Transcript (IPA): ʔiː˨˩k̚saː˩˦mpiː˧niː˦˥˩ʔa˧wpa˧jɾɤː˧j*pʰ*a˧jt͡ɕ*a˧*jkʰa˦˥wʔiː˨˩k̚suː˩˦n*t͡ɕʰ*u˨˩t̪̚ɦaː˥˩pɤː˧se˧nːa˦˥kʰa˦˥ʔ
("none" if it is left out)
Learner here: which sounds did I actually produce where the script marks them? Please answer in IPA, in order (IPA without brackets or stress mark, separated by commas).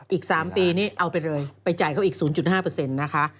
p, a˨˩, t͡ɕ